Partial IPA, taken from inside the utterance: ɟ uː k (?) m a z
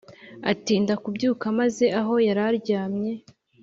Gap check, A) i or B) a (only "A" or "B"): B